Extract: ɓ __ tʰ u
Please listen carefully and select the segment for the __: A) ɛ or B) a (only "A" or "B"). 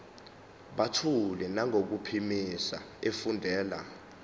B